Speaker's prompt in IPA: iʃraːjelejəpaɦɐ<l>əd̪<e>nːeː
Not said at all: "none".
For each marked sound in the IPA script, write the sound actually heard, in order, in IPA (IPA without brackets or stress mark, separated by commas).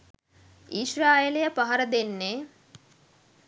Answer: ɾ, e